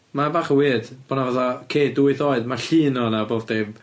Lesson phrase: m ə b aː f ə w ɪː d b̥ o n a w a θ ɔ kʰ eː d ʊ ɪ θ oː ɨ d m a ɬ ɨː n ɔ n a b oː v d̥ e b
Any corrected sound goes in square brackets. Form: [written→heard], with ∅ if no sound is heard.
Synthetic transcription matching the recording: m [ə→a] b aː [f→χ] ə w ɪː d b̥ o n a [w→v] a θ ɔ kʰ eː d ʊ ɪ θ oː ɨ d m a ɬ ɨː n ɔ n a b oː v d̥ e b